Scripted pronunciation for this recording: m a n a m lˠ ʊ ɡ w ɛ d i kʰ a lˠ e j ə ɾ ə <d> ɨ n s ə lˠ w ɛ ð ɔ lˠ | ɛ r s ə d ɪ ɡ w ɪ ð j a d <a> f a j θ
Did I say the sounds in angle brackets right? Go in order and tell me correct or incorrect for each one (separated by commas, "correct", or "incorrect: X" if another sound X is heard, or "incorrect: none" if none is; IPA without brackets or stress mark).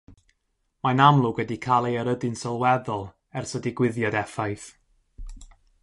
correct, incorrect: ɛ